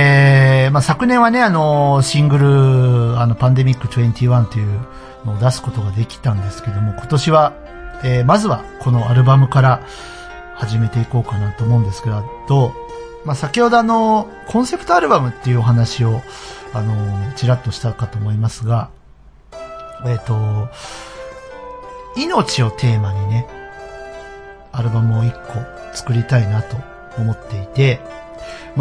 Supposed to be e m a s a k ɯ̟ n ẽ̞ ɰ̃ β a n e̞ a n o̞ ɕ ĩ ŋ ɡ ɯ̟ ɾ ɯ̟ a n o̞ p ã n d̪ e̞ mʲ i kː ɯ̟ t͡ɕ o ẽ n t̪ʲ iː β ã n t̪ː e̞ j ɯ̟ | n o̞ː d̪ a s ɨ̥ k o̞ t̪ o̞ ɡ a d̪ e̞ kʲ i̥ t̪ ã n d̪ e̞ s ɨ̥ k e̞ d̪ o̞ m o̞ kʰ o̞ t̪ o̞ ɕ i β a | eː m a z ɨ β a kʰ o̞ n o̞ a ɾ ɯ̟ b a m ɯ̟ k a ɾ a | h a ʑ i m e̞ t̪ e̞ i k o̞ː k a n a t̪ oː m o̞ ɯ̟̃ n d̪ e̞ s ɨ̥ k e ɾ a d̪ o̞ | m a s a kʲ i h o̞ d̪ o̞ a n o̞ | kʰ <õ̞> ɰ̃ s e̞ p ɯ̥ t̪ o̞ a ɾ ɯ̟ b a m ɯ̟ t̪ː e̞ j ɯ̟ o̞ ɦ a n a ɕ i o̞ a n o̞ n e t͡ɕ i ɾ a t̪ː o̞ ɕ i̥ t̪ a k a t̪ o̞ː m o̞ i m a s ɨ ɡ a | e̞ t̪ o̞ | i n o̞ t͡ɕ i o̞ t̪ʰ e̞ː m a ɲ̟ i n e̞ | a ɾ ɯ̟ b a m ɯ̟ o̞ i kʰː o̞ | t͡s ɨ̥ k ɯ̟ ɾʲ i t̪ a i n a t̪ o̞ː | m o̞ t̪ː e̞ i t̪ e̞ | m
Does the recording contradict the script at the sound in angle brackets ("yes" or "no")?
no